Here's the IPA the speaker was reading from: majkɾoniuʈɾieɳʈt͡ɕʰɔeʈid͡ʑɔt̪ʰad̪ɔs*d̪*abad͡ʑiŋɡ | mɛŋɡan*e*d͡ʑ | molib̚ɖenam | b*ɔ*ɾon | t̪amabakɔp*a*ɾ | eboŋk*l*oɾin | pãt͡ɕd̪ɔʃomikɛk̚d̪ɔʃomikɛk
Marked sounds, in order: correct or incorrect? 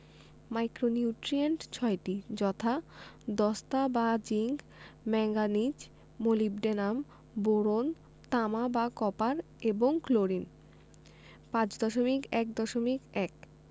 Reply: incorrect, incorrect, incorrect, correct, correct

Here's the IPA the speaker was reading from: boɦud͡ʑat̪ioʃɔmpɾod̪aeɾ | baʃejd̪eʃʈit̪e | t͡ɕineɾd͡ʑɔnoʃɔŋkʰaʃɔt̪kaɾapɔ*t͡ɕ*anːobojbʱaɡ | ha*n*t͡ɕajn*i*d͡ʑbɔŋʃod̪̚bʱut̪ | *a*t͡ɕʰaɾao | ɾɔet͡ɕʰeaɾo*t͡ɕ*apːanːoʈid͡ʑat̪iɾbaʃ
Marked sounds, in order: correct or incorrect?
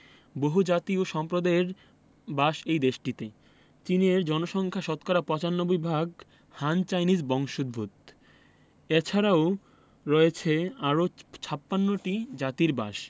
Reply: correct, correct, correct, incorrect, incorrect

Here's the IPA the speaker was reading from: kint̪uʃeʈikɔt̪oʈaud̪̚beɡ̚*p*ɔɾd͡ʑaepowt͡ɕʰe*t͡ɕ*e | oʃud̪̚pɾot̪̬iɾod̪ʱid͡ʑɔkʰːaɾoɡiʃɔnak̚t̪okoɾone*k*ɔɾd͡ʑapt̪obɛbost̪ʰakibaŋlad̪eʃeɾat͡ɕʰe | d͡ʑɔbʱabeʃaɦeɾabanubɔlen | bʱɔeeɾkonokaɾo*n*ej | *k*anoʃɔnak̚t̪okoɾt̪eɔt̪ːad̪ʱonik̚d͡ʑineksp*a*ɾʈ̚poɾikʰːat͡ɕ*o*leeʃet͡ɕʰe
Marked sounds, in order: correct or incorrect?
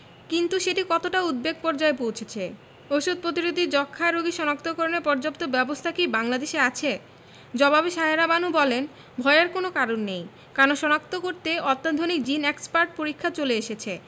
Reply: correct, incorrect, incorrect, incorrect, correct, correct, correct

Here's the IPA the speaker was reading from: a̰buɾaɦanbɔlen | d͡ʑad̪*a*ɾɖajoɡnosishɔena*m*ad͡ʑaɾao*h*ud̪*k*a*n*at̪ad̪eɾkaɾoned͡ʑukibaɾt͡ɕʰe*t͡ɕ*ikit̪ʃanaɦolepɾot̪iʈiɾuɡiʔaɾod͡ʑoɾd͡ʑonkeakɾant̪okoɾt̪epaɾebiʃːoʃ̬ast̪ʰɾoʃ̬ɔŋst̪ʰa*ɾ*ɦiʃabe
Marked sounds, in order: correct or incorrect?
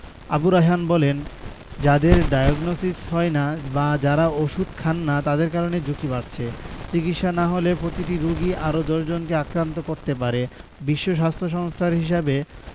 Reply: incorrect, incorrect, incorrect, incorrect, incorrect, correct, correct

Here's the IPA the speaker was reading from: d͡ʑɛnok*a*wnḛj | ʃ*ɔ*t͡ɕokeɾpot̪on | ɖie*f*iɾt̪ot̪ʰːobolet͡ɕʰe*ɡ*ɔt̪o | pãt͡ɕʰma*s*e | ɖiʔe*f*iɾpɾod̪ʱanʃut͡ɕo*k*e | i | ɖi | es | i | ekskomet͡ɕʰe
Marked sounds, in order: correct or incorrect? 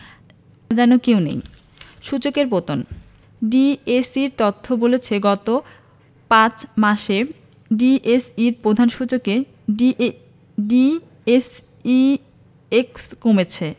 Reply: incorrect, incorrect, incorrect, correct, incorrect, incorrect, correct

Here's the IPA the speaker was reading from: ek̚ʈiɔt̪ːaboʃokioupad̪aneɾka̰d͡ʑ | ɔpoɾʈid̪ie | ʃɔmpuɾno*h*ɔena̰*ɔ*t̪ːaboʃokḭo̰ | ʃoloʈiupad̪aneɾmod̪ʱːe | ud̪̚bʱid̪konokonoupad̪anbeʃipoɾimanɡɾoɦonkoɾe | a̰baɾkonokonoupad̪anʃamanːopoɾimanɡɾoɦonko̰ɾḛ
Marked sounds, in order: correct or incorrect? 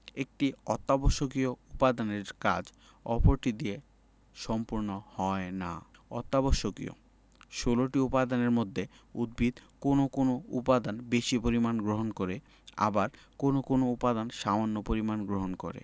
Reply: correct, correct

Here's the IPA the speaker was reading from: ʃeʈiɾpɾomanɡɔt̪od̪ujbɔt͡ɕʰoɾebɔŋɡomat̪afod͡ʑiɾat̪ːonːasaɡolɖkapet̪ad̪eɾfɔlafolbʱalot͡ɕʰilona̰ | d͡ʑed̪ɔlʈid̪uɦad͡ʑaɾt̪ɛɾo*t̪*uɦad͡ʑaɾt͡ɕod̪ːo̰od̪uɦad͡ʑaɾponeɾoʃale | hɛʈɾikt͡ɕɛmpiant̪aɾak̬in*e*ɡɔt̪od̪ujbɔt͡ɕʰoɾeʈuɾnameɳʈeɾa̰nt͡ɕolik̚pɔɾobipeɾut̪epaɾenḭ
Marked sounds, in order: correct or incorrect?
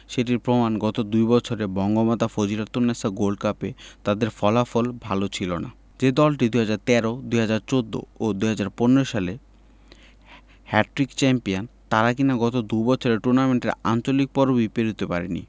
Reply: incorrect, incorrect

